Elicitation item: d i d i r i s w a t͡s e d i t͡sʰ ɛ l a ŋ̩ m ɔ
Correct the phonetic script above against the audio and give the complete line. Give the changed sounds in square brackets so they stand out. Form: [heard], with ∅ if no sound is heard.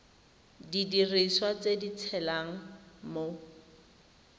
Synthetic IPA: d i d i r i s w a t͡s e d i t͡sʰ ɛ l a ŋ̩ m [o]